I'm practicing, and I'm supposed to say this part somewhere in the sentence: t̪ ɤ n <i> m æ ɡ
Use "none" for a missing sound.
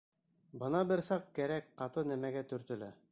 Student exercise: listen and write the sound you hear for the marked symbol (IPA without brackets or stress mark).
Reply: æ